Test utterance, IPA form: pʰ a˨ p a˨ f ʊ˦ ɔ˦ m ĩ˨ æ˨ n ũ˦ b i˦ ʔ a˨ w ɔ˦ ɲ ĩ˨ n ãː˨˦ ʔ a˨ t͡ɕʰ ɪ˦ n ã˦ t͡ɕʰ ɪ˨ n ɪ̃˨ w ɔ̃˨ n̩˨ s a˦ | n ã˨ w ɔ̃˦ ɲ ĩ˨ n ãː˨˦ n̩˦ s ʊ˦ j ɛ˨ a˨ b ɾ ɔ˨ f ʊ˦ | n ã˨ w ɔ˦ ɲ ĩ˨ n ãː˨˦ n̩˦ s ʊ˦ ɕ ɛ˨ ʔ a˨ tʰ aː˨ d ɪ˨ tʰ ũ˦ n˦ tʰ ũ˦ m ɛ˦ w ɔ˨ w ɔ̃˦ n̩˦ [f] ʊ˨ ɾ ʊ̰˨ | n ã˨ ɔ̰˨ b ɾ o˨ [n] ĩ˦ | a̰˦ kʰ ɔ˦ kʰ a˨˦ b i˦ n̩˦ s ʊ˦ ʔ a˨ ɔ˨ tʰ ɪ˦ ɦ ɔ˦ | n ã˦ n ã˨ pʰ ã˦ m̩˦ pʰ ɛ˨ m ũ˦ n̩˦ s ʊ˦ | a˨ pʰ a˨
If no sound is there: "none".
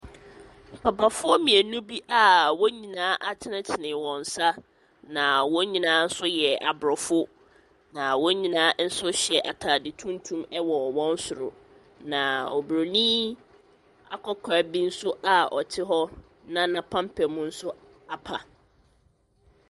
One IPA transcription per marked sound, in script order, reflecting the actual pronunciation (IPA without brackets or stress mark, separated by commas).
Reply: s, n